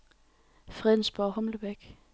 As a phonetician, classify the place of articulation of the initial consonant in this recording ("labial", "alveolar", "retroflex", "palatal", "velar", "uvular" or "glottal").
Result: labial